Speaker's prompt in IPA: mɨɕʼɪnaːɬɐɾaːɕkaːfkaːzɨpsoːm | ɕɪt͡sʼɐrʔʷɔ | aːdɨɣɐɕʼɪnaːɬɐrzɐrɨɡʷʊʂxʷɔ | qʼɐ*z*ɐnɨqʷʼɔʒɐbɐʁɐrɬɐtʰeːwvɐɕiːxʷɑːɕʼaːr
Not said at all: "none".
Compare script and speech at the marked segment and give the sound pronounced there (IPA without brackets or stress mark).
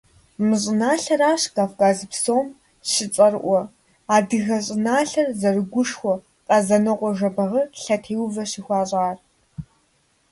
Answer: z